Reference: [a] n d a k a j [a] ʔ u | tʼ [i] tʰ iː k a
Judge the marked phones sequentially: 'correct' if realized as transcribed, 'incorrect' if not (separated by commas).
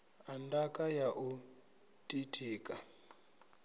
correct, correct, correct